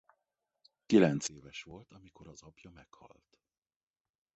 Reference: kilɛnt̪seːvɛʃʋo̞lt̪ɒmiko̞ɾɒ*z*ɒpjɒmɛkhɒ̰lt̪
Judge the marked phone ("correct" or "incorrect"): correct